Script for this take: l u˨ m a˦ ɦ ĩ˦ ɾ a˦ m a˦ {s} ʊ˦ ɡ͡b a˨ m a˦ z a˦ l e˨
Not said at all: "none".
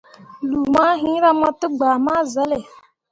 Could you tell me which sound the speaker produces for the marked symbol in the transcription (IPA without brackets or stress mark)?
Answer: t